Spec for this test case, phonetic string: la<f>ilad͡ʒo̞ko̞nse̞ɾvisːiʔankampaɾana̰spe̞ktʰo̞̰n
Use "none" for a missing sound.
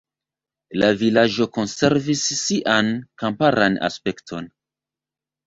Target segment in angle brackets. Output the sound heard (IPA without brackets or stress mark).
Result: v